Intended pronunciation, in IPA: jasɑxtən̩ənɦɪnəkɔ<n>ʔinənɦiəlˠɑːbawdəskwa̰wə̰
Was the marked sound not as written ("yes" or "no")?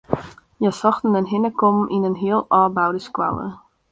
yes